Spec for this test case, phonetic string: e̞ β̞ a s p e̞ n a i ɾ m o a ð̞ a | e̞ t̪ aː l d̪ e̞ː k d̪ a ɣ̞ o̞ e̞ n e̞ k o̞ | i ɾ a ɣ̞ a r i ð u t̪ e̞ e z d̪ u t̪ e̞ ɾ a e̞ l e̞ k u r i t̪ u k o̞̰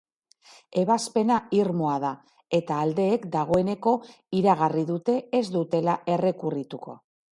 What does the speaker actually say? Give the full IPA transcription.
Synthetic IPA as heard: e̞ β̞ a s p e̞ n a i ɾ m o a ð̞ a | e̞ t̪ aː l d̪ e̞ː k d̪ a ɣ̞ o̞ e̞ n e̞ k o̞ | i ɾ a ɣ̞ a r i ð u t̪ e̞ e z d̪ u t̪ e̞ l a e̞ r e̞ k u r i t̪ u k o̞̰